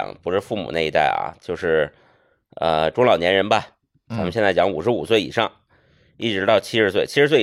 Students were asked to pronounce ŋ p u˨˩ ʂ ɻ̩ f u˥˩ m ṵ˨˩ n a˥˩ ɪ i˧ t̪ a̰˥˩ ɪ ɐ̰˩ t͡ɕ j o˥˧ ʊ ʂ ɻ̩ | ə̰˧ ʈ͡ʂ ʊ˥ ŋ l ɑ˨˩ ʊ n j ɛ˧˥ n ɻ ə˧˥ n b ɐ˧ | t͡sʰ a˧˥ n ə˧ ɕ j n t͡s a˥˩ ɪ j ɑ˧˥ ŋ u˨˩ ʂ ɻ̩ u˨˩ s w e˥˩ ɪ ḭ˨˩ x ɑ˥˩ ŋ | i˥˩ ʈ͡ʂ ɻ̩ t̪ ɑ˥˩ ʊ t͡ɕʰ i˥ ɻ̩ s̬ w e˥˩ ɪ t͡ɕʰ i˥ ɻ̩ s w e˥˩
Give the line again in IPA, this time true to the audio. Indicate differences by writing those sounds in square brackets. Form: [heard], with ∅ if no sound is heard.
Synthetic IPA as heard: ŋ p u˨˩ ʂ ɻ̩ f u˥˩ m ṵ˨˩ n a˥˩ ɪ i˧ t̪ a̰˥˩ ɪ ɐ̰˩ t͡ɕ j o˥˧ ʊ ʂ ɻ̩ | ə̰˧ ʈ͡ʂ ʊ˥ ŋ l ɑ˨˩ ʊ n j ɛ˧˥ n ɻ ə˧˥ n b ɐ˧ | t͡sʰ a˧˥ [m] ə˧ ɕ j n t͡s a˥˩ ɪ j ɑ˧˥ ŋ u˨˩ ʂ ɻ̩ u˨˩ s w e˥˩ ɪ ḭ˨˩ [ʂ] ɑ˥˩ ŋ | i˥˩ ʈ͡ʂ ɻ̩ t̪ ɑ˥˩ ʊ t͡ɕʰ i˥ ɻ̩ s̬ w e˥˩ ɪ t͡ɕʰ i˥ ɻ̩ s w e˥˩